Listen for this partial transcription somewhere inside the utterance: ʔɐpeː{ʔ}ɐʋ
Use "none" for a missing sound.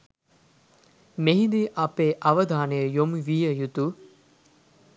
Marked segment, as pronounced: ʔ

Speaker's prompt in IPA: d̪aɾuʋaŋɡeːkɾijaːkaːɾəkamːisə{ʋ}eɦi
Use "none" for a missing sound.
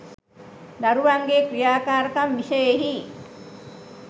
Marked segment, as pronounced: none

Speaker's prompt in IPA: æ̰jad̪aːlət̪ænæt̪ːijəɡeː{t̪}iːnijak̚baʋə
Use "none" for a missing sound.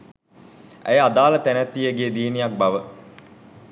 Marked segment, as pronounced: d̪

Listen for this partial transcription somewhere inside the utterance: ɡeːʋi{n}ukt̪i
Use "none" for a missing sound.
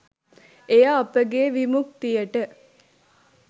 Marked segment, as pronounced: m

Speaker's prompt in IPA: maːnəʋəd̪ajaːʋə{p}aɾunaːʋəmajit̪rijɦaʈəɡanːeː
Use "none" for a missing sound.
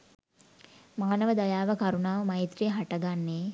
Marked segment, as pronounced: k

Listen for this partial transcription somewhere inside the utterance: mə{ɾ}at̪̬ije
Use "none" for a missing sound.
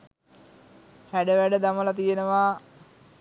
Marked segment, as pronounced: l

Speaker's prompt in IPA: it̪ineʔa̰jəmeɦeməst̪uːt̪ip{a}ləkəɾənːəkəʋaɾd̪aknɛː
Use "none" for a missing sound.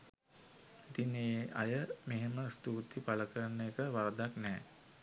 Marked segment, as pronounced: a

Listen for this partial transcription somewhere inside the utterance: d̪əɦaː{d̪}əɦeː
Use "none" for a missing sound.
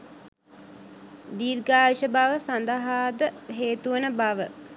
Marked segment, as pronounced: d̪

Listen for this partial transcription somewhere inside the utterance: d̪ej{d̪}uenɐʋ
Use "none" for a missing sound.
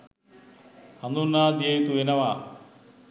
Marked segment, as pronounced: t̪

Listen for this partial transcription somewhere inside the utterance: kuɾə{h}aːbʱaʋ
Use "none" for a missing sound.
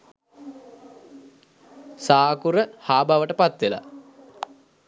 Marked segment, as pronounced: h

